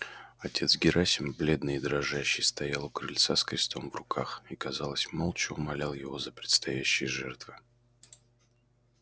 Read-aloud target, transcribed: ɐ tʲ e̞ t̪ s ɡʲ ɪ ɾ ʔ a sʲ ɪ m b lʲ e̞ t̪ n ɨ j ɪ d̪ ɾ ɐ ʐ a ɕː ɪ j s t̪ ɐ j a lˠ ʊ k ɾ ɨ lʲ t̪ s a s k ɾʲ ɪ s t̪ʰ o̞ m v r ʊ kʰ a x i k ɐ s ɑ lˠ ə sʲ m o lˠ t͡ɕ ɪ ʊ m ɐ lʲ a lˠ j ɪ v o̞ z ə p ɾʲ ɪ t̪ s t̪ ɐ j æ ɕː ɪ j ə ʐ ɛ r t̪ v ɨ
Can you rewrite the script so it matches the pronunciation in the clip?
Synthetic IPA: ɐ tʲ e̞ t̪ s ɡʲ ɪ ɾ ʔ a sʲ ɪ m b lʲ e̞ d̪ n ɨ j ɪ d̪ ɾ ɐ ʐ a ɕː ɪ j s t̪ ɐ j a lˠ ʊ k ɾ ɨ lʲ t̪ s a s k ɾʲ ɪ s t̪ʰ o̞ m v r ʊ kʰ a x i k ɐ z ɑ lˠ ə sʲ m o lˠ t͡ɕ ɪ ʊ m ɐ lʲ a lˠ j ɪ v o̞ z ə p ɾʲ ɪ t̪ s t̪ ɐ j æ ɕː ɪ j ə ʐ ɛ r t̪ v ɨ